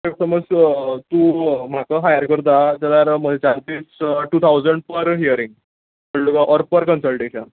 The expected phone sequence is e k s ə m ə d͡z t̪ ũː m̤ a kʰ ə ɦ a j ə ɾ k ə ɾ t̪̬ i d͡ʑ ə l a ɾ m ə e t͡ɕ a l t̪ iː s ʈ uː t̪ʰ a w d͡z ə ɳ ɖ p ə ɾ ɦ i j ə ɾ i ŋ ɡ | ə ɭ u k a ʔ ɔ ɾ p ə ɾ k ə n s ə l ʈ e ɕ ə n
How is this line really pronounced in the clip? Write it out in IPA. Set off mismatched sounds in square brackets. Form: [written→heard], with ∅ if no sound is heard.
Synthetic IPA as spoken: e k s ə m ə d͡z t̪ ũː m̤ a [kʰ→k] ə ɦ a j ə ɾ k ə ɾ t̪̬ [i→a] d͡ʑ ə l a ɾ m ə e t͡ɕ a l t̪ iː s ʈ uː t̪ʰ a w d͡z ə ɳ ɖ p ə ɾ ɦ i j ə ɾ i ŋ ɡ | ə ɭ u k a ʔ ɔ ɾ p ə ɾ k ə n s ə l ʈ e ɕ ə n